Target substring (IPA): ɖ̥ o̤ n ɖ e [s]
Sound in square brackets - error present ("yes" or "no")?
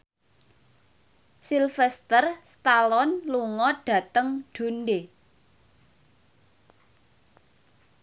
yes